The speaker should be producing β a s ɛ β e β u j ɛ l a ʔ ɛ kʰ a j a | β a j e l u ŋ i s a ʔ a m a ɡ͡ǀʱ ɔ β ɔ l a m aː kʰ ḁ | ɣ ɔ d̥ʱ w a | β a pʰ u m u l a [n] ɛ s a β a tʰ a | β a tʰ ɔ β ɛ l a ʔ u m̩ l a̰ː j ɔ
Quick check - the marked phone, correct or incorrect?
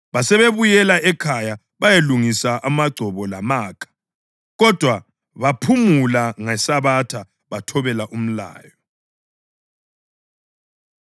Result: incorrect